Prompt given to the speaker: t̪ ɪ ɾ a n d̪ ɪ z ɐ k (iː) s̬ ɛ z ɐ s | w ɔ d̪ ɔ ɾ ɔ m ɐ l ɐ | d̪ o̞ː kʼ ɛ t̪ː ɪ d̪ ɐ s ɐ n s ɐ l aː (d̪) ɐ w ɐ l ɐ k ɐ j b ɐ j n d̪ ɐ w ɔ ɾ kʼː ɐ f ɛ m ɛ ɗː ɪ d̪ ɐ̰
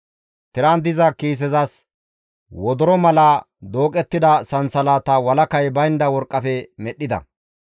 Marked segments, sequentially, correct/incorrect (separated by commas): correct, incorrect